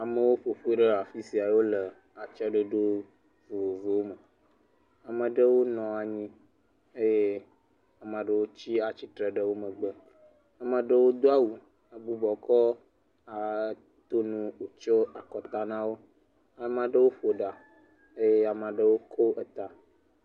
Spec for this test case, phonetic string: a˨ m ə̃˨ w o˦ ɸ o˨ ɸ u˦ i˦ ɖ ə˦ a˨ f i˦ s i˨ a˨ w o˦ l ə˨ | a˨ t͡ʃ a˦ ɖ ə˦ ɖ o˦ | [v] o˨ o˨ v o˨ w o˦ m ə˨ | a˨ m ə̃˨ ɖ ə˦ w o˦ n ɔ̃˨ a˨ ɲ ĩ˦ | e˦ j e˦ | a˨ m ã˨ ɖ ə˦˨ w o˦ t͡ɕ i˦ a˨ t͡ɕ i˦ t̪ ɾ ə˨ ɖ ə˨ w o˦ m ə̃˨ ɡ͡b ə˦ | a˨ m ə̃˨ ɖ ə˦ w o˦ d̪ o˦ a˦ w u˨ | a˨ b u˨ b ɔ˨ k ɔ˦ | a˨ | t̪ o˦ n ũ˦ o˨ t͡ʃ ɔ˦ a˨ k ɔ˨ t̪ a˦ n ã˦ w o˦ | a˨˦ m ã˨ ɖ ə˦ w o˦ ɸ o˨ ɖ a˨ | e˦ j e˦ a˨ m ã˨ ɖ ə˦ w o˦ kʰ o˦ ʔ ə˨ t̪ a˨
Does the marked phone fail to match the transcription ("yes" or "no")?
no